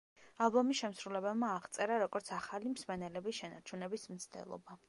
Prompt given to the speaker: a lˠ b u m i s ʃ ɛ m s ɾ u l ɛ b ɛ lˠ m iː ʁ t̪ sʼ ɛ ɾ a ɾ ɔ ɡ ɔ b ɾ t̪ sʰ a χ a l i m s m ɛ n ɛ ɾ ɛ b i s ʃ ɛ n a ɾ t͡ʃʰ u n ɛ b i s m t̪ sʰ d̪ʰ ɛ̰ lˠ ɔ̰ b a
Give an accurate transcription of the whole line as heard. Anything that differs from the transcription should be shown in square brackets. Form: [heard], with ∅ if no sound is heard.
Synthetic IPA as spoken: a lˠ b [ɔ] m i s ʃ ɛ m s ɾ u l ɛ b ɛ lˠ m [aː] ʁ t̪ sʼ ɛ ɾ a ɾ ɔ ɡ ɔ [∅] ɾ t̪ sʰ a χ a l i m s m ɛ n ɛ [l] ɛ b i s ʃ ɛ n a ɾ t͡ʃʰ u n ɛ b i s m t̪ sʰ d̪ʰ ɛ̰ lˠ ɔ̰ b a